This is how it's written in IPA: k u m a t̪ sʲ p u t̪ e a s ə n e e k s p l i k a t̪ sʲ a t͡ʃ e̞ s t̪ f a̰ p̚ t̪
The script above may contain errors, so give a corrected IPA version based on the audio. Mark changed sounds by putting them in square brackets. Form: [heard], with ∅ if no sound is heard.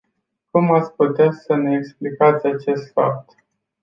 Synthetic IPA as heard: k u m a t̪ sʲ p u t̪ e a s ə n e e k s p l i k a t̪ sʲ a t͡ʃ e̞ s t̪ f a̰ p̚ t̪